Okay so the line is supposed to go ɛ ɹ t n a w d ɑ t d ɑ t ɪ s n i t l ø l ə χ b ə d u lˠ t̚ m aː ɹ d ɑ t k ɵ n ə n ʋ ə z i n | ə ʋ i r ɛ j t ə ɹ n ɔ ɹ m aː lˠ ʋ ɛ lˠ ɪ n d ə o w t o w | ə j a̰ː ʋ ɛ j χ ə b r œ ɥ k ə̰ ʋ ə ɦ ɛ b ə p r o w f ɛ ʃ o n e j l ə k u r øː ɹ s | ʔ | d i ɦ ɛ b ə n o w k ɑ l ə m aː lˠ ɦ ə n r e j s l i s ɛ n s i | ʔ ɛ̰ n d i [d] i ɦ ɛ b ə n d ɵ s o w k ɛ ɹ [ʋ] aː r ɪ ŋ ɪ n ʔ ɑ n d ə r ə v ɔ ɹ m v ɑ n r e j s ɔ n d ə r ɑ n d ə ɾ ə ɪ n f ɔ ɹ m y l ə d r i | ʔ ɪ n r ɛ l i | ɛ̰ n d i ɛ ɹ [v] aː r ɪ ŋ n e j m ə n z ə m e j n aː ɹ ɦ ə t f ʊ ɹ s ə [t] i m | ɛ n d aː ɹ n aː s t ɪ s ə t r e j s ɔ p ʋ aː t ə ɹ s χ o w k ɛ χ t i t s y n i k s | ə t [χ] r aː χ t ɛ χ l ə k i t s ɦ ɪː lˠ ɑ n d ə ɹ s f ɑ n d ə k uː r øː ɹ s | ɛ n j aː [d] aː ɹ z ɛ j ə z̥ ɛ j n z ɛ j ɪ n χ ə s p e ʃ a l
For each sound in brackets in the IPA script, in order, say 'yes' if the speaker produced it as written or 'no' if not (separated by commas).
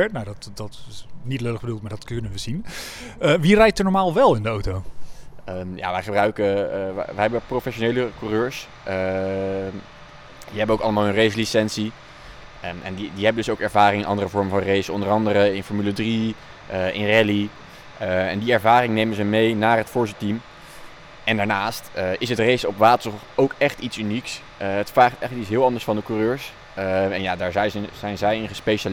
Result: yes, no, yes, yes, no, yes